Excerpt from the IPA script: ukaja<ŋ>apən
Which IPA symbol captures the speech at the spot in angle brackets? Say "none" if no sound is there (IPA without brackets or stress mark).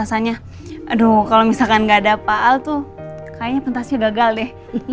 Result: ɲ